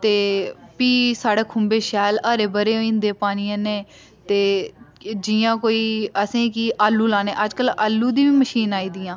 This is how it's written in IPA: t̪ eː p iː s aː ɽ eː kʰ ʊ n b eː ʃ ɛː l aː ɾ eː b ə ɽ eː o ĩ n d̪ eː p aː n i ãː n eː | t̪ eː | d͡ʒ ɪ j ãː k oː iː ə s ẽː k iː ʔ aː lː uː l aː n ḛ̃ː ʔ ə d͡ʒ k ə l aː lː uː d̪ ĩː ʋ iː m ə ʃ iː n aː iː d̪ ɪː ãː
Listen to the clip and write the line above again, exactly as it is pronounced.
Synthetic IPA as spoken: t̪ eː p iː s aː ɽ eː kʰ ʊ m b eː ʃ ɛː l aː ɾ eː b ə ɾ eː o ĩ n d̪ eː p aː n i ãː n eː | t̪ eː | d͡ʒ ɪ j ãː k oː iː ə s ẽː k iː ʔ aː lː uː l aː n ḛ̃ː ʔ ə d͡ʒ k ə l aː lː uː d̪ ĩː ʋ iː m ə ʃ iː n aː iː d̪ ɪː ãː